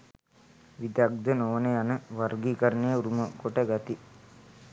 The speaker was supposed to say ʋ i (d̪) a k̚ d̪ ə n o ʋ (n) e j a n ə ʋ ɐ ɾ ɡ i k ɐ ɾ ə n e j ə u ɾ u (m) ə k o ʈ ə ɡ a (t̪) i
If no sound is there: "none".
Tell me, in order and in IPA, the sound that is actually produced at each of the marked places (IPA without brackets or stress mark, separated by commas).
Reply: d̪, n, m, t̪